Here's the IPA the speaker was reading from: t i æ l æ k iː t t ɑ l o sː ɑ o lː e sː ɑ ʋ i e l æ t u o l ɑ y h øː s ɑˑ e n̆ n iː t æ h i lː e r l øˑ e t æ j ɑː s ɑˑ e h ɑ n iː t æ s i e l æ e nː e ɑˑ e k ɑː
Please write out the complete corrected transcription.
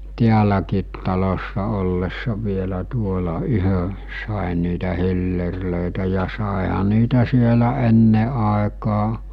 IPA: t i æ l æ k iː t t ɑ l o sː ɑ o lː e sː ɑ ʋ i e l æ t u o l ɑ y h ø s ɑˑ e n̆ n iː t æ h i lː e r l øˑ e t æ j ɑ s ɑˑ e h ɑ n iː t æ s i e l æ e nː e ɑˑ e k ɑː